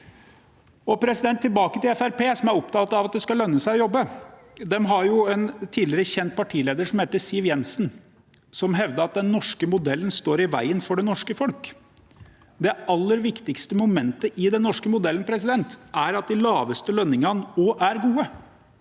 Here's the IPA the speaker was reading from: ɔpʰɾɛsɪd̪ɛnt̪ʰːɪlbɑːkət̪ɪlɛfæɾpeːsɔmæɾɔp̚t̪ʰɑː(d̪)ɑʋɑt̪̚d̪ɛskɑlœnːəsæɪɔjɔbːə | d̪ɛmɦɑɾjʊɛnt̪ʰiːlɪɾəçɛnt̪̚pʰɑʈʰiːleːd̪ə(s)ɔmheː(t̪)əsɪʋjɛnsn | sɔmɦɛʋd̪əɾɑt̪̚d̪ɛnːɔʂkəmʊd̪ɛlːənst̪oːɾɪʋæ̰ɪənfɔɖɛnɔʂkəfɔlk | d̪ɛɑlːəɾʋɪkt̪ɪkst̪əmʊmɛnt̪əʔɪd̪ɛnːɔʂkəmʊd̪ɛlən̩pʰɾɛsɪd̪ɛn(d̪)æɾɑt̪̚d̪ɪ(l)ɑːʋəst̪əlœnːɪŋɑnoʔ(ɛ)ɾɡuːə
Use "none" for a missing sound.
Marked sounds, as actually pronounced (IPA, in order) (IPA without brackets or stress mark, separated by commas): t̪, ʂ, t̪, t̪, l, æ